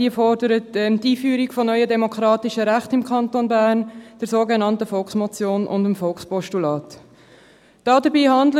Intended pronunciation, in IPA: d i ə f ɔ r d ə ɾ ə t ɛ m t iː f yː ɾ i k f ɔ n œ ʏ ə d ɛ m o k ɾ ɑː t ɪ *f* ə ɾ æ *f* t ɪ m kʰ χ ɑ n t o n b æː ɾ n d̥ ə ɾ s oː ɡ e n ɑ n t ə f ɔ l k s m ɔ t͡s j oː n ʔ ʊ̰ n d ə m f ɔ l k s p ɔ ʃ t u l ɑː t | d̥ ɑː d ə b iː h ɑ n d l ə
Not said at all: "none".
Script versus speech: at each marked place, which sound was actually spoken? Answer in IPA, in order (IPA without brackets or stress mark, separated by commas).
ʃ, χ